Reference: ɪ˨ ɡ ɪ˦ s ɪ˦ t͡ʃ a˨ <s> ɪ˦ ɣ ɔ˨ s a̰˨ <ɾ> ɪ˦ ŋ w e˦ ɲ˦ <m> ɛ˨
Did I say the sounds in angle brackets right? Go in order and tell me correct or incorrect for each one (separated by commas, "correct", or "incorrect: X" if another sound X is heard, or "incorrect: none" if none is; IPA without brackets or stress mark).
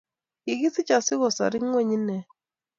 correct, correct, incorrect: n